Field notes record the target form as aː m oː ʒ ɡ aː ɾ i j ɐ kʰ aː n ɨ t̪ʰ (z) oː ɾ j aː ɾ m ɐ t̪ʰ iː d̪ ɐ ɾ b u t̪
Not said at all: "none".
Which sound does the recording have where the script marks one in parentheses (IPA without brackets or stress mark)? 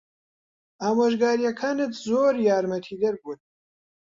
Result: z